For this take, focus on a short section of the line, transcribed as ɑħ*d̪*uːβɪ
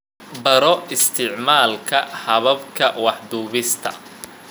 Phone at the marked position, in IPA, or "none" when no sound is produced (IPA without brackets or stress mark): d̪